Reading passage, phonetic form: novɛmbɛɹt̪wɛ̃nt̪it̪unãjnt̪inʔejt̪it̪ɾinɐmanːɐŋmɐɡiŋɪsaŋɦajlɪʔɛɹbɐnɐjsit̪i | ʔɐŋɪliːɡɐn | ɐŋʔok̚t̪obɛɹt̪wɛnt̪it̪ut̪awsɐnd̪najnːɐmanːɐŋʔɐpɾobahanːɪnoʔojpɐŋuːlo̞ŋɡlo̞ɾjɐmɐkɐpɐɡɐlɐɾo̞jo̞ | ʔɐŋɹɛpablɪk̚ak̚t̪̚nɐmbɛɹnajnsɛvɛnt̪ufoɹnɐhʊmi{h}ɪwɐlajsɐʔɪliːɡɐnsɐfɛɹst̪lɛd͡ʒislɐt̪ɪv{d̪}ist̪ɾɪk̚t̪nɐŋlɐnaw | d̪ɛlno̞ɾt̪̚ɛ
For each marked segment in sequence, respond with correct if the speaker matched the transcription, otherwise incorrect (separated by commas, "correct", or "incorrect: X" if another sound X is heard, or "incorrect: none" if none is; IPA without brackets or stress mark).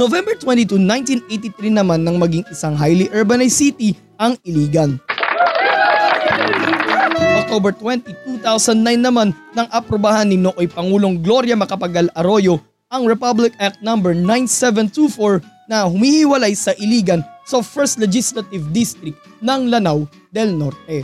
correct, correct